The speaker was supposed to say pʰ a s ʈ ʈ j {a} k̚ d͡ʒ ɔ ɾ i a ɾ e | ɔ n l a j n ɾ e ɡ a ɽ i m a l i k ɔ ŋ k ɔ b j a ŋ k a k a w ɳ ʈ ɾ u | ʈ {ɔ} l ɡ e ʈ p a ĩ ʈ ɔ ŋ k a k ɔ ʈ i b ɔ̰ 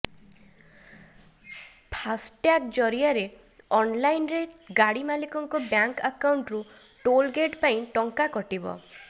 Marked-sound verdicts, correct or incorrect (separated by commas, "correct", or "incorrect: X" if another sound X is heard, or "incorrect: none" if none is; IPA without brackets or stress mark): correct, incorrect: o